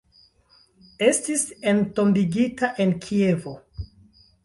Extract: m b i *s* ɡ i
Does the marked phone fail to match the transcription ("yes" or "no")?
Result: yes